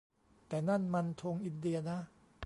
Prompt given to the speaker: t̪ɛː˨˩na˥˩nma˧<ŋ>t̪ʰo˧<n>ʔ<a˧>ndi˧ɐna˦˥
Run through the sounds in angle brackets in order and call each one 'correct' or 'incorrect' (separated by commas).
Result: incorrect, incorrect, incorrect